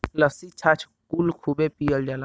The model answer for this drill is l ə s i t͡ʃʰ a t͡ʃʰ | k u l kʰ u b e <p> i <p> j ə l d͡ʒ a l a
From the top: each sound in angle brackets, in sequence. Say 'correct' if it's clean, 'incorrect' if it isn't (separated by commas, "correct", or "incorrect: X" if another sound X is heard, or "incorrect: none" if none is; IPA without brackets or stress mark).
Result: correct, incorrect: none